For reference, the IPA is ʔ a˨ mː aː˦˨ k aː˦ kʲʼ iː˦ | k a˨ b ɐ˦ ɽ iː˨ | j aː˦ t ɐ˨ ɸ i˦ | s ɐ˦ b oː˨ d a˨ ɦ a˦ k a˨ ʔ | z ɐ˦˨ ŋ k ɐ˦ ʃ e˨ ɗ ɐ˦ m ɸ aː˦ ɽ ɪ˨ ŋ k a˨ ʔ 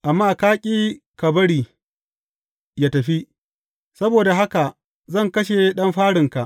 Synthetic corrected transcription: ʔ a˨ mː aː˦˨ k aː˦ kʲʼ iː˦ | k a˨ b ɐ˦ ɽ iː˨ | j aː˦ t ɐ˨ ɸ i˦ | s ɐ˦ b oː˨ d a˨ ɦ a˦ k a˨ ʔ | z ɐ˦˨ ŋ k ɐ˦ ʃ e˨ ɗ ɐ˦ m ɸ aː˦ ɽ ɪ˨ ŋ k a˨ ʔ